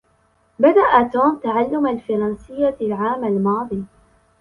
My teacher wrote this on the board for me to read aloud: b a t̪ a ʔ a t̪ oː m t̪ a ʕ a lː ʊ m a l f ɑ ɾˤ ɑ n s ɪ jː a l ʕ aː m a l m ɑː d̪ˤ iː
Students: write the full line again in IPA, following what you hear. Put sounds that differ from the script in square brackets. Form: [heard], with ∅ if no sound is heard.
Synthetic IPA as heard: b a [d̪] a ʔ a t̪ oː m t̪ a ʕ a lː ʊ m a l f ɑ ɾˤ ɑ n s ɪ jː a l ʕ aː m a l m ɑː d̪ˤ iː